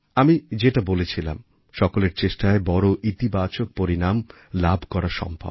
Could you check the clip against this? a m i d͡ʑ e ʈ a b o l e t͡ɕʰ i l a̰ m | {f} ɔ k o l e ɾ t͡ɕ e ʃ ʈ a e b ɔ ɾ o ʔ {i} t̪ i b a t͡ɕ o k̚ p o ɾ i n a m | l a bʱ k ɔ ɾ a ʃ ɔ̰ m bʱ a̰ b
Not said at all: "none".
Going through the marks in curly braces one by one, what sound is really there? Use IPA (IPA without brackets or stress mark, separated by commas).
ʃ, i